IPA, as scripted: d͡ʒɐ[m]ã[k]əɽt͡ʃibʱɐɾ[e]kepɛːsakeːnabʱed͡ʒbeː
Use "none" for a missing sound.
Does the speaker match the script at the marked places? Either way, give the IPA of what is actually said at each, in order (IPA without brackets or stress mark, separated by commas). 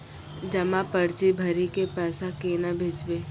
m, p, i